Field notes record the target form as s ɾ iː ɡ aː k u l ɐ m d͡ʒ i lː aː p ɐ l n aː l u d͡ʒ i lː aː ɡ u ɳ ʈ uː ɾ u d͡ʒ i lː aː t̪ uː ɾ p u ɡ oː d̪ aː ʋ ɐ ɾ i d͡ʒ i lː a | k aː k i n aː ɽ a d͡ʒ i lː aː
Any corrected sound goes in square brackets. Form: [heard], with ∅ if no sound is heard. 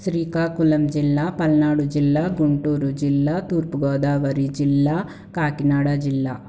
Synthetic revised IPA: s ɾ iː [k] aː k u l ɐ m d͡ʒ i lː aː p ɐ l n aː [ɽ] u d͡ʒ i lː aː ɡ u ɳ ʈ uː ɾ u d͡ʒ i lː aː t̪ uː ɾ p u ɡ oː d̪ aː ʋ ɐ ɾ i d͡ʒ i lː a | k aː k i n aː ɽ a d͡ʒ i lː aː